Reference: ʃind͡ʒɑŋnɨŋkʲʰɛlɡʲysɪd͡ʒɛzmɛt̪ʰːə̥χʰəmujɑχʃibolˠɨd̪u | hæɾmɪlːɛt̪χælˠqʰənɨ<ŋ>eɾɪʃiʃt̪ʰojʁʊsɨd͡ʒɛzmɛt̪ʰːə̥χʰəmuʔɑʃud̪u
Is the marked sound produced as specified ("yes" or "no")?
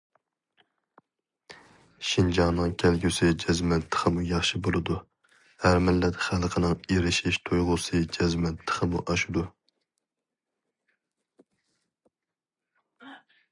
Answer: yes